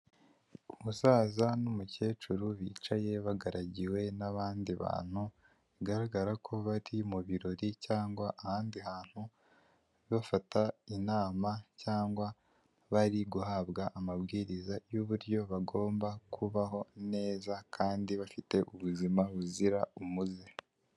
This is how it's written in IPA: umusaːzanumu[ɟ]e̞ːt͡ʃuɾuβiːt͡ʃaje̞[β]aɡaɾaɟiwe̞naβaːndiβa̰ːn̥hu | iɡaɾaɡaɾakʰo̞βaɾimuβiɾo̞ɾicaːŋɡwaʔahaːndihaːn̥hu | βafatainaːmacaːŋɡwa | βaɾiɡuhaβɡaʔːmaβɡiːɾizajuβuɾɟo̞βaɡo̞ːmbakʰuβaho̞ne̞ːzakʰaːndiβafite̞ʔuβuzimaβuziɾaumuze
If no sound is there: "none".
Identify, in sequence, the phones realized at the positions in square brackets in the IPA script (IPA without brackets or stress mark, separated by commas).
c, β